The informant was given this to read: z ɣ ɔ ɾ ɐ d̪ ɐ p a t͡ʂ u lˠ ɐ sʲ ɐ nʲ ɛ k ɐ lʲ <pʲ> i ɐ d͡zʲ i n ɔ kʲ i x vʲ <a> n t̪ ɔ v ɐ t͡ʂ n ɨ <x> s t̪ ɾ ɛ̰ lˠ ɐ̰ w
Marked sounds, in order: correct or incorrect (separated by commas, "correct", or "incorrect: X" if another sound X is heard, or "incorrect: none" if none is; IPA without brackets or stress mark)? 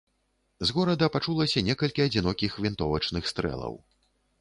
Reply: incorrect: kʲ, incorrect: i, correct